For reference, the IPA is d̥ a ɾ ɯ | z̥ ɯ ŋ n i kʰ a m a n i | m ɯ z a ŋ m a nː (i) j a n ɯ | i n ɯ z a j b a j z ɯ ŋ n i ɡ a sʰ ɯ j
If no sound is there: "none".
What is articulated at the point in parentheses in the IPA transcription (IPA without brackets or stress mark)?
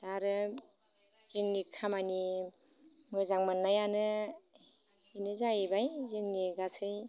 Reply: a